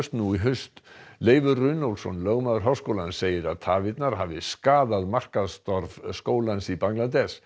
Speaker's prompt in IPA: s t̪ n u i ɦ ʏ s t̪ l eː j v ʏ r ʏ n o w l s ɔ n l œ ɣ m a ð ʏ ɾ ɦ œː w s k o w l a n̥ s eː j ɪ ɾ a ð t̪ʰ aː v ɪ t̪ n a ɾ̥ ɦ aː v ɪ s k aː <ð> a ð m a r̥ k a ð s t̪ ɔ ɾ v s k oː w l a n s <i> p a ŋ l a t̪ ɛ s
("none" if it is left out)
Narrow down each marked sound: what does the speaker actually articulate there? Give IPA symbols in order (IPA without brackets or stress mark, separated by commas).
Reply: ð, i